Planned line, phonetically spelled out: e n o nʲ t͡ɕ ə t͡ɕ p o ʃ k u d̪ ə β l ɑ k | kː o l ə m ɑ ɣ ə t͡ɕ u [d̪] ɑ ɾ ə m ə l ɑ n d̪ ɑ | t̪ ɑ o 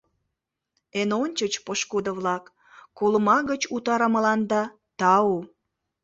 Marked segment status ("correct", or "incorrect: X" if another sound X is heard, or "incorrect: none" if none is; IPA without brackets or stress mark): incorrect: t̪